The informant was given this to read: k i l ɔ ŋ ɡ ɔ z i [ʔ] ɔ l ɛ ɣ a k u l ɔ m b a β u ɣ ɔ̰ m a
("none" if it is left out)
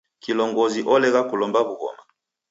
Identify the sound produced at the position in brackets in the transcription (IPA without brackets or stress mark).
ʔ